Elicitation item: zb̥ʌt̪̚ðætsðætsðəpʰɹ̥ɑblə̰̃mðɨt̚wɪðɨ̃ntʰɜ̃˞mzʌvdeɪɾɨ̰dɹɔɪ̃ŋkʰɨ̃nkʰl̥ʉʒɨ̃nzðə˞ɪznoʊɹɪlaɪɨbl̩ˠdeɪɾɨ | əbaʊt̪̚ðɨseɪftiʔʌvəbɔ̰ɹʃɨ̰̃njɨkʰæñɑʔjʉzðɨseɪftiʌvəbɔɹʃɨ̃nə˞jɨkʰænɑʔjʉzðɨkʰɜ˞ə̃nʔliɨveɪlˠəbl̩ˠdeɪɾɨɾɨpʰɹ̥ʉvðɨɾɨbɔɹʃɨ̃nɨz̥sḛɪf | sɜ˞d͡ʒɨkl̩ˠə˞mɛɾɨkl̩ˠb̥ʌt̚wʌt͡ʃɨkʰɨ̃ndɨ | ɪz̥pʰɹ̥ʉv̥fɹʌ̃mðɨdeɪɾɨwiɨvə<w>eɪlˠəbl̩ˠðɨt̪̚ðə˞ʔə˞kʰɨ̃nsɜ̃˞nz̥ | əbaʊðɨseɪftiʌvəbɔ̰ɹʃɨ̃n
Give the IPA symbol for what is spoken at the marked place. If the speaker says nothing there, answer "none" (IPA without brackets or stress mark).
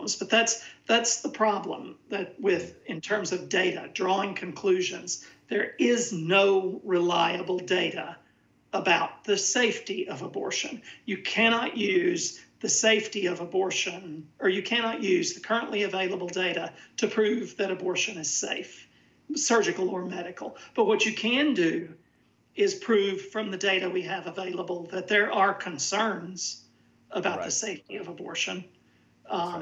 v